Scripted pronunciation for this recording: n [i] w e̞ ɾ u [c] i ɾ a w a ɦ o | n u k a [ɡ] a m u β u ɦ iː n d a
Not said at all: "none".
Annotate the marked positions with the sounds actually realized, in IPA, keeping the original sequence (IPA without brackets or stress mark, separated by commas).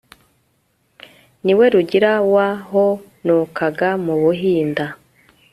i, ɟ, ɡ